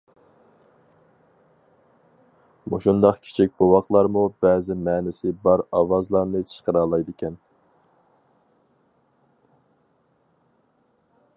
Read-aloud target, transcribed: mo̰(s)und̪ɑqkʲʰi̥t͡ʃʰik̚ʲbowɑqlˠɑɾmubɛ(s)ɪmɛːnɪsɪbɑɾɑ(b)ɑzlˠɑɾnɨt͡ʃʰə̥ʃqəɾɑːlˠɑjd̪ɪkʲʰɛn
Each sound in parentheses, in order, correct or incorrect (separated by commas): incorrect, incorrect, incorrect